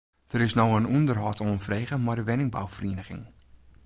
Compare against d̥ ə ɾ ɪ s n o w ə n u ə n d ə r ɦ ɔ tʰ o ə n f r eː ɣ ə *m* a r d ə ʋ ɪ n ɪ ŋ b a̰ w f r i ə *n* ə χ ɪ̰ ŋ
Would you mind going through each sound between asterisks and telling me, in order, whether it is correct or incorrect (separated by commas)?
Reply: correct, correct